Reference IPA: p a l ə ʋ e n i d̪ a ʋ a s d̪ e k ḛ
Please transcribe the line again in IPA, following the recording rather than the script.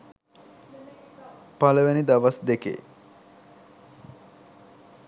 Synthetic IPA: p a l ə ʋ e n i d̪ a ʋ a s d̪ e k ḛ